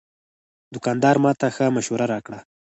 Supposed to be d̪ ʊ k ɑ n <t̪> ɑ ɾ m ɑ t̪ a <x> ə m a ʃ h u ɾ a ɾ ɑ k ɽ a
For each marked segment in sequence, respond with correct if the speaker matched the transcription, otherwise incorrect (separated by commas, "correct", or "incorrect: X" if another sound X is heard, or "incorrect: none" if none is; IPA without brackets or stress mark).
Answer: incorrect: d̪, correct